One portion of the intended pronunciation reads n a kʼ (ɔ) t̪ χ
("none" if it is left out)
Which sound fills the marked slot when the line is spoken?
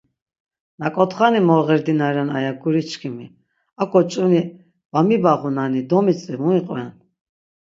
ɔ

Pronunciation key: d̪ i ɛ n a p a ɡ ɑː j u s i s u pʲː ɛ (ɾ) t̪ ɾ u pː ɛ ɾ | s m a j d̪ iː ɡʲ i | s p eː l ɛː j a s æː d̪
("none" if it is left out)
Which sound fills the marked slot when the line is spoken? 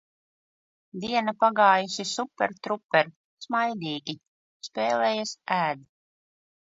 ɾ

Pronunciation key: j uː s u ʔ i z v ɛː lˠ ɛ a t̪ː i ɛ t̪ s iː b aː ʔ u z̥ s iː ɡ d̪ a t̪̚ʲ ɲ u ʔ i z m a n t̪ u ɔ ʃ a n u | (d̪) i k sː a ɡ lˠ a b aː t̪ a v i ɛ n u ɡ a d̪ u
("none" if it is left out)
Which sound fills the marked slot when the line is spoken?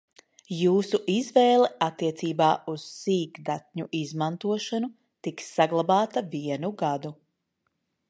t̪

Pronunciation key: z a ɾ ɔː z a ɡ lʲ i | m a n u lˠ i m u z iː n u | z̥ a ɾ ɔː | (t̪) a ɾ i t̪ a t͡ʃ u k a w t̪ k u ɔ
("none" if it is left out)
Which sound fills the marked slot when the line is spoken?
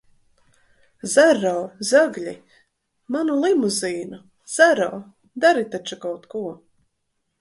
d̪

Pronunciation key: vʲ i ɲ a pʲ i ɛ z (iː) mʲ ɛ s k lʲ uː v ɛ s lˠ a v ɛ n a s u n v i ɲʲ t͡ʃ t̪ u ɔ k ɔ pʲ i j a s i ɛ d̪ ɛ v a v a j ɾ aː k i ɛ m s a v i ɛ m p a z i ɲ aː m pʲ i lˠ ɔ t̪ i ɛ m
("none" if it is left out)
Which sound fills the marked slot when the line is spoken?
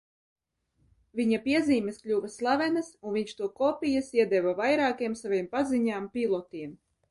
iː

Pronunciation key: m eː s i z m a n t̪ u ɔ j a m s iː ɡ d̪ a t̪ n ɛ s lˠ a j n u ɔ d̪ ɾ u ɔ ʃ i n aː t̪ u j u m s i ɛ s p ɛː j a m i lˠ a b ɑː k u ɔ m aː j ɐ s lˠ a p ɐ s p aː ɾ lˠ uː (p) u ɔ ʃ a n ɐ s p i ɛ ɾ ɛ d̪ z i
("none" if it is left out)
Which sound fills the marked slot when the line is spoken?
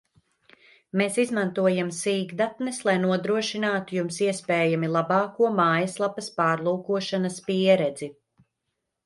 k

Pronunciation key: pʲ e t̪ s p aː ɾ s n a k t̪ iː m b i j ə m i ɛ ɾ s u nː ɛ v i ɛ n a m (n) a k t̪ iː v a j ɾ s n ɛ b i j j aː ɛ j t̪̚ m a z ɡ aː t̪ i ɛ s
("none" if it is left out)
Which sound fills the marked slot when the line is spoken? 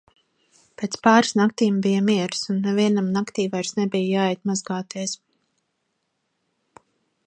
n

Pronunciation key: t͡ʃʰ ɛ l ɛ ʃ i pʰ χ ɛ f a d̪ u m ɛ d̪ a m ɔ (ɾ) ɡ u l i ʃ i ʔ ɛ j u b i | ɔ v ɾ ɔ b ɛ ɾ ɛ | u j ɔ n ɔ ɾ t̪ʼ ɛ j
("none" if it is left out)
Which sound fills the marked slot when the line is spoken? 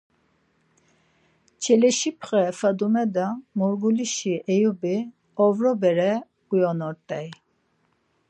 ɾ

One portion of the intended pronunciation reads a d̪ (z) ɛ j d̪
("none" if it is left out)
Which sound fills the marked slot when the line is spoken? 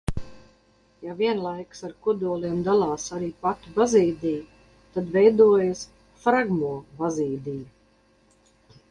v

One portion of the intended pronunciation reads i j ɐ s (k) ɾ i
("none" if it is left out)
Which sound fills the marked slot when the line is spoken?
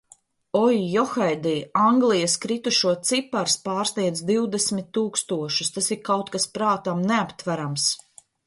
k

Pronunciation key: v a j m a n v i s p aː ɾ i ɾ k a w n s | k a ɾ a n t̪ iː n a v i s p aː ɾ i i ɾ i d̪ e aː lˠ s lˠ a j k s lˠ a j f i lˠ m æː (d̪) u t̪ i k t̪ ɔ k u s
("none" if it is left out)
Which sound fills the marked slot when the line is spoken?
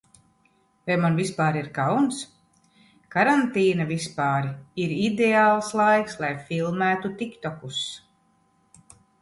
t̪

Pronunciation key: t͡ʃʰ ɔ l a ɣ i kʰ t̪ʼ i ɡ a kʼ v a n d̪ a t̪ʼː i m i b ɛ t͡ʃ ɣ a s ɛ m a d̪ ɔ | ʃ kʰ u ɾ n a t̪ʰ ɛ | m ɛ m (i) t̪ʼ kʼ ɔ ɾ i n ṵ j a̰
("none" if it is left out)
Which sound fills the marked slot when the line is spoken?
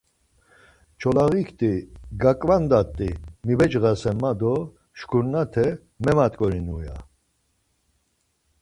a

